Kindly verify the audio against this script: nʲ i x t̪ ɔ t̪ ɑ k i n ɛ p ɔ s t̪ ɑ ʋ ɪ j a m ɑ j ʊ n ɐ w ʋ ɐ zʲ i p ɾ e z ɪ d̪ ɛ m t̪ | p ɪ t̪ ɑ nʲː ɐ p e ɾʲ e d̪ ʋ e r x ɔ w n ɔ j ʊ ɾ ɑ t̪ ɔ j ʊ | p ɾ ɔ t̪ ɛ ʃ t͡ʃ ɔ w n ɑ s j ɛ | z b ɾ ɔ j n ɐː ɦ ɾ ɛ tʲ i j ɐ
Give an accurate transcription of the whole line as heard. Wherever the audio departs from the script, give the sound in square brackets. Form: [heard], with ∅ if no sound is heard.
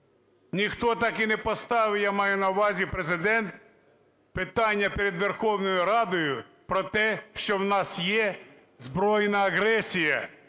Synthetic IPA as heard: nʲ i x t̪ ɔ t̪ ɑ k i n ɛ p ɔ s t̪ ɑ ʋ ɪ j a m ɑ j ʊ n ɐ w ʋ [ɑ] zʲ i p ɾ e z ɪ d̪ ɛ [n] t̪ | p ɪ t̪ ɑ nʲː ɐ p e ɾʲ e d̪ ʋ e r x ɔ w n ɔ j ʊ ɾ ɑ [d̪] ɔ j ʊ | p ɾ ɔ t̪ ɛ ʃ t͡ʃ ɔ w n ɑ s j ɛ | z b ɾ ɔ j n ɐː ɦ ɾ ɛ [sʲ] i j ɐ